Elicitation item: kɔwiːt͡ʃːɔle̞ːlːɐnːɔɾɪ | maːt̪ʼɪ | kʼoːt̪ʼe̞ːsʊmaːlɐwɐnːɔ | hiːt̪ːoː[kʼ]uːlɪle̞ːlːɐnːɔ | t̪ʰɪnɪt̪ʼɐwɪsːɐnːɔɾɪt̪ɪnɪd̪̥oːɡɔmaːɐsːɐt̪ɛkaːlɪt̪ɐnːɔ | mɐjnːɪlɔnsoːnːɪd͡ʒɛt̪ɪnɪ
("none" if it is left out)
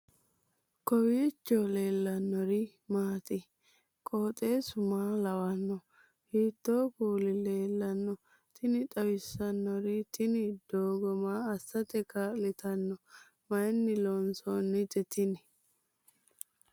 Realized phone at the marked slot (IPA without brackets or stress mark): k